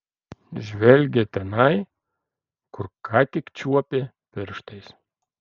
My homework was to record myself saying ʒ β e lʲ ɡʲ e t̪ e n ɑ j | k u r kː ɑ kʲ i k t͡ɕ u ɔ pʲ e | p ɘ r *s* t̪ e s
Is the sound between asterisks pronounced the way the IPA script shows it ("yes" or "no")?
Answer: no